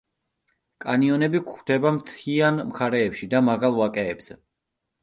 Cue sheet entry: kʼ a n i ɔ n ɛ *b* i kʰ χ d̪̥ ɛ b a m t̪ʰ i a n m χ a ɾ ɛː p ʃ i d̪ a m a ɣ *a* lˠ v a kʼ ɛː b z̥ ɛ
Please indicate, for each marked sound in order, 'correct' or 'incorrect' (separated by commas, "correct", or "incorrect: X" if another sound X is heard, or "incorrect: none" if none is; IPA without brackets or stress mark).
correct, correct